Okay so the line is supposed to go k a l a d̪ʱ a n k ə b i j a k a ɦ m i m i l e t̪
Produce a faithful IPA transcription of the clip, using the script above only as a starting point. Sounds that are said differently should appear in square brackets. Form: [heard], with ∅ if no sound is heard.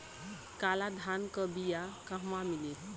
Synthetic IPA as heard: k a l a d̪ʱ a n k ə b i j a k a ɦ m [a] m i l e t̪